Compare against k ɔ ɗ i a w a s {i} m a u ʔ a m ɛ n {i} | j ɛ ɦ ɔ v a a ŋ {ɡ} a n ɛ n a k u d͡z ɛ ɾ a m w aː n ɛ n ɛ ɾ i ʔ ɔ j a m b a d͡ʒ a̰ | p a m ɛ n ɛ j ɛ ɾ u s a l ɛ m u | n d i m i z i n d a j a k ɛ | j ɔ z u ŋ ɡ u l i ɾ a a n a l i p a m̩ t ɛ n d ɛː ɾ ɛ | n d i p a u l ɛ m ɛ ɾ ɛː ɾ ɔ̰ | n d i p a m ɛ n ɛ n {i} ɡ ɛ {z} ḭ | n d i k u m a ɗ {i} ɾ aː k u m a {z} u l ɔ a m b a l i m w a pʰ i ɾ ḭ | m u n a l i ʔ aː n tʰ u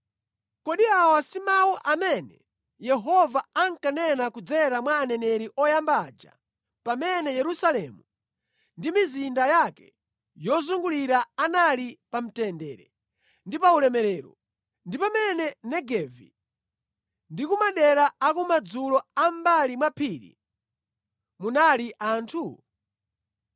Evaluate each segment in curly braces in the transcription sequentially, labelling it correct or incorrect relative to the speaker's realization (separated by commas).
correct, incorrect, incorrect, incorrect, incorrect, incorrect, incorrect